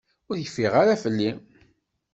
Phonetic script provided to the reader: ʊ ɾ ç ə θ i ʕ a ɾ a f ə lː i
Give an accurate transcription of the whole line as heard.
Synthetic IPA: ʊ ɾ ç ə f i ʁ a ɾ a f ə lː i

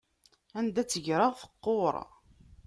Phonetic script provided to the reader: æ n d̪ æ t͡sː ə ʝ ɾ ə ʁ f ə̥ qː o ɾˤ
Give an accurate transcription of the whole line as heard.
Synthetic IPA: æ n d̪ æ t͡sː ə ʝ ɾ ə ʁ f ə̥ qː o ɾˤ

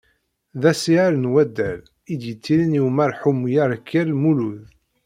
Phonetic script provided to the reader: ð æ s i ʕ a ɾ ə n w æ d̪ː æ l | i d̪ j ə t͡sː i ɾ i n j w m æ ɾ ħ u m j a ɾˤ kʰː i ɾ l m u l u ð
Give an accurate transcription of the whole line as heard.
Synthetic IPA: ð æ s i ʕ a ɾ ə n w æ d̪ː æ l | i d̪ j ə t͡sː i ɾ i n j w m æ ɾ ħ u m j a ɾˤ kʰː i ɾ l m u l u ð

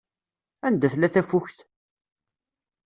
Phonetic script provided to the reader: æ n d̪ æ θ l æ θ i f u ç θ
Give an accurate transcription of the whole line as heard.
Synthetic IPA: æ n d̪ æ θ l æ θ æ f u ç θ

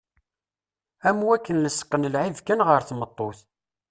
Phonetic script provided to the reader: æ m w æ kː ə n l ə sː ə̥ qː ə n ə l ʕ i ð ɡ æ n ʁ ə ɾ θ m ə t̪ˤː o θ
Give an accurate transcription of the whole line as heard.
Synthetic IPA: æ m w æ kː ə n l ə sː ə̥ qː ə n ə l ʕ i v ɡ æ n ʁ ə ɾ θ m ə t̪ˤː o θ

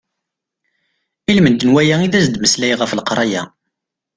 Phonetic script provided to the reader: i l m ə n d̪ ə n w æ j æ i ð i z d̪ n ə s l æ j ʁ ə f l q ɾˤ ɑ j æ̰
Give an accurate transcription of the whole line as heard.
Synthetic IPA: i l m ə n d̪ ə n w æ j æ i ð æ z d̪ m ə s l æ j ʁ ə f l q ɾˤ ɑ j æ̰

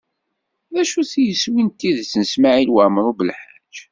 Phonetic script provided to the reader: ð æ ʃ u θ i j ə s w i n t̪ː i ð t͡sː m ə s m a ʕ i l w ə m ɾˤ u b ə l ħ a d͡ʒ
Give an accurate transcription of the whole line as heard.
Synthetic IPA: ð æ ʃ u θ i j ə s w i n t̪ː i ð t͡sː n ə s m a ʕ i l w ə m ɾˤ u b ə l ħ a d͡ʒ

